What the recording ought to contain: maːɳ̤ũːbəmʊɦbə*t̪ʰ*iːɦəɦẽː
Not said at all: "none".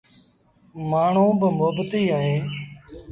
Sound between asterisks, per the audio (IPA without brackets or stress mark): t̪